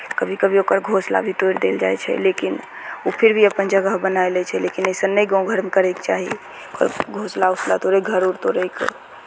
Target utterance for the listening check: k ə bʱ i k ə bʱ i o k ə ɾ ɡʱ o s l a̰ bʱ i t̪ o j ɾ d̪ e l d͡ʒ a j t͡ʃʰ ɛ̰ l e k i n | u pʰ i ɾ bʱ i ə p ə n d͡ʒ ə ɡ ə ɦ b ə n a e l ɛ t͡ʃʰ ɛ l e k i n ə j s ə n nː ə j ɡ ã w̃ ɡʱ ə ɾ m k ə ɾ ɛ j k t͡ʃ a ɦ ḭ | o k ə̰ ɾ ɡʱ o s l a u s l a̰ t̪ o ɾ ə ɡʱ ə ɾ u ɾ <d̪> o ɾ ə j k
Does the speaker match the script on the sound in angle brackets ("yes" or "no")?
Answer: no